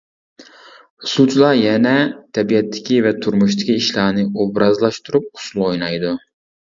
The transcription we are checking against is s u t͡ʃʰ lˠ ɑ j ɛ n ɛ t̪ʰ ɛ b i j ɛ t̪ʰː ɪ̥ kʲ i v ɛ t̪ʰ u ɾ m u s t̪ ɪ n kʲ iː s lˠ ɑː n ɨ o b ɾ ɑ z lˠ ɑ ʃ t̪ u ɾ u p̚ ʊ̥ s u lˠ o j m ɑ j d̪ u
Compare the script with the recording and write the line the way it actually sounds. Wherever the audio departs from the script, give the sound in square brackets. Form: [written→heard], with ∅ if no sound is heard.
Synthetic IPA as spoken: s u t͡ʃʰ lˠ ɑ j ɛ n ɛ t̪ʰ ɛ b i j ɛ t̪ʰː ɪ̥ kʲ i v ɛ t̪ʰ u ɾ m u [s→ʃ] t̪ ɪ [n→∅] kʲ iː [s→ʃ] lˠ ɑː n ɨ o b ɾ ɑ z lˠ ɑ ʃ t̪ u ɾ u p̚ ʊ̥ s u lˠ o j [m→n] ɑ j d̪ u